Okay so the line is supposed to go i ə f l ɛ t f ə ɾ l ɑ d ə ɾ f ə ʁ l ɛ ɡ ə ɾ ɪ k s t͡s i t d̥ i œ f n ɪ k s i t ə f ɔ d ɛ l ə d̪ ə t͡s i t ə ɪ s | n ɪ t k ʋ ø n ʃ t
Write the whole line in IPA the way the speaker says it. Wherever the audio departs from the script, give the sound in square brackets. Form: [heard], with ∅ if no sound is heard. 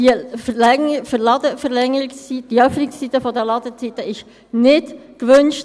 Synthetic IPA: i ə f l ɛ [∅] f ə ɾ l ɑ d ə [∅] f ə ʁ l ɛ [ŋ] ə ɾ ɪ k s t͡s i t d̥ i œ f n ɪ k s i t ə f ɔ d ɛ l [ɑ] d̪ ə t͡s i t ə ɪ [ʃ] | n ɪ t k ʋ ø n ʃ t